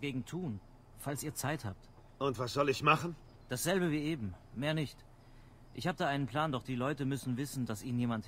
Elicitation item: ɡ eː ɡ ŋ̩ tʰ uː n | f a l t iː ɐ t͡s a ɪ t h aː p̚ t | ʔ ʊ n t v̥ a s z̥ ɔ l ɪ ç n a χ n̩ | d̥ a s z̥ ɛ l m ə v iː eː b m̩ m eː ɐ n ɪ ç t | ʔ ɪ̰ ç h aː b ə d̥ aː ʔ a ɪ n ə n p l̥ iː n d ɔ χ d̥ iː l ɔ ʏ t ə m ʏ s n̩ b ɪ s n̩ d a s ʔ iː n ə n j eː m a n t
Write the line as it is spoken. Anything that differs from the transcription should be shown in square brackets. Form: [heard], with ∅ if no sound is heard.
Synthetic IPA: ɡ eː ɡ ŋ̩ tʰ uː n | f a l [s] iː ɐ t͡s a ɪ t h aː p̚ t | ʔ ʊ n t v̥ a s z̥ ɔ l ɪ ç [m] a χ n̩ | d̥ a s z̥ ɛ l [b] ə v iː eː b m̩ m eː ɐ n ɪ ç t | ʔ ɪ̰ ç h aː b ə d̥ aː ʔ a ɪ n ə n p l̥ [aː] n d ɔ χ d̥ iː l ɔ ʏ t ə m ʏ s n̩ [v] ɪ s n̩ d a s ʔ iː n ə n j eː m a n t